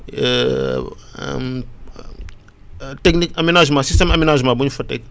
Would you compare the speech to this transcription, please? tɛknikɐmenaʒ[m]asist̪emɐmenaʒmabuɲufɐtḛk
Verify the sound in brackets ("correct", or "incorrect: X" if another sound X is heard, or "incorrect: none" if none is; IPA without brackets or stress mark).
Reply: correct